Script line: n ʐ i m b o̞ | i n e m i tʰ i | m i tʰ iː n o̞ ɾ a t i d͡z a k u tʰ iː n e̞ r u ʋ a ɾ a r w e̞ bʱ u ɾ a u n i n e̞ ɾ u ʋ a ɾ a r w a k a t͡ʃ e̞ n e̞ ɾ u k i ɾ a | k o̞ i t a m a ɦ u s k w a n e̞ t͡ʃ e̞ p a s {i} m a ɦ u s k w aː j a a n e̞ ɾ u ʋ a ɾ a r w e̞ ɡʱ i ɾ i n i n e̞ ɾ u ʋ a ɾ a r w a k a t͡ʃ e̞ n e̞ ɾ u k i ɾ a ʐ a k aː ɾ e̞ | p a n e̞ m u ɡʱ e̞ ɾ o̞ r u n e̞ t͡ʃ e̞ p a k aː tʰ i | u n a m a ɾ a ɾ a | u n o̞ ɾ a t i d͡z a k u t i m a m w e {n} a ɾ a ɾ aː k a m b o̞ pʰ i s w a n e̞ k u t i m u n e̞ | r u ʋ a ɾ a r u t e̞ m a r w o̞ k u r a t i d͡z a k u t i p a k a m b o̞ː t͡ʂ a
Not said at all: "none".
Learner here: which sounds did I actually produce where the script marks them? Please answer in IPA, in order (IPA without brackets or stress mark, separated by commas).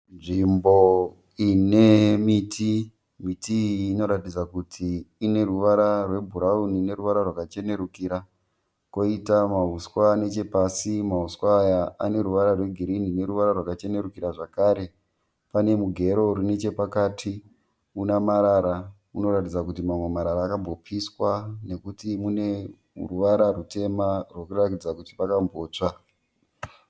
i, m